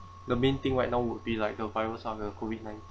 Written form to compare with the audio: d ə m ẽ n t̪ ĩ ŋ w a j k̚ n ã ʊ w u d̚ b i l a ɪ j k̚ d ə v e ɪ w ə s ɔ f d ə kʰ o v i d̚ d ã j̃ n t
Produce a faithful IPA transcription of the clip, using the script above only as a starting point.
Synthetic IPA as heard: d ə m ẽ n t̪ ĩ ŋ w a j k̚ n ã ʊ w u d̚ b i l a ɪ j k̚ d ə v a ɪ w ə s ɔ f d ə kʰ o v i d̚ n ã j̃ n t